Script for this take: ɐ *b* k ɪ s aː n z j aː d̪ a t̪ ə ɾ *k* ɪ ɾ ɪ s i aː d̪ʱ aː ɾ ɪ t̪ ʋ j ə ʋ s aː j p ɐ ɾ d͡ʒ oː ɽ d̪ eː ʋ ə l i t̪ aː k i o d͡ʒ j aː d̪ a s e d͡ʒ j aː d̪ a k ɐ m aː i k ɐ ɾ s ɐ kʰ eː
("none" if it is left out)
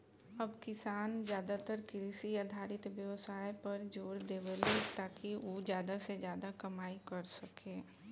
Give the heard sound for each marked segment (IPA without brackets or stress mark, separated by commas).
b, k